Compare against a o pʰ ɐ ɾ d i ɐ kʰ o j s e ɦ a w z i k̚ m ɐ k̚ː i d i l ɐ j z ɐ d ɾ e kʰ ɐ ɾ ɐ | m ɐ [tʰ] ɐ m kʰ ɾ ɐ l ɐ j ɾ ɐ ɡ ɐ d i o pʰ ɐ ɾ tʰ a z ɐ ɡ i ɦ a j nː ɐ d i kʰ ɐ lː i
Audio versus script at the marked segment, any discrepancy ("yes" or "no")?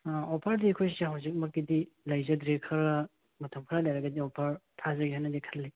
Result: no